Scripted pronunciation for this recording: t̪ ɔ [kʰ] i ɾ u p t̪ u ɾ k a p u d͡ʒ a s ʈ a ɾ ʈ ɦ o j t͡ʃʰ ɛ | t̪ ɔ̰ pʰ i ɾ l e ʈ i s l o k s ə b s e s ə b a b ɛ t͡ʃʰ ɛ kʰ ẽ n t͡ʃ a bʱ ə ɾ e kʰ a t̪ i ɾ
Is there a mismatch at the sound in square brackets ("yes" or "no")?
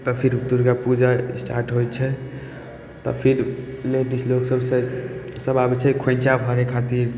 yes